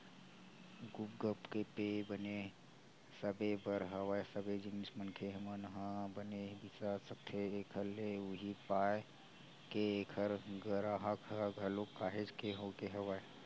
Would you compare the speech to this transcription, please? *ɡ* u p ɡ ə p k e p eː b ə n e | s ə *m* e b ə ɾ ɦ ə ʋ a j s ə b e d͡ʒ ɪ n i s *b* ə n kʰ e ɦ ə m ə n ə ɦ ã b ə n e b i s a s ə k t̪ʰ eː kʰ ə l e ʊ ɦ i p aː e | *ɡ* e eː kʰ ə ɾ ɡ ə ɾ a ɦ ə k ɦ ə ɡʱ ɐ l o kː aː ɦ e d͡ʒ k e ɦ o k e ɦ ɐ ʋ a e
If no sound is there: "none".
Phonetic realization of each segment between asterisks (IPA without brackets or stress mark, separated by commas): ɡ, b, m, k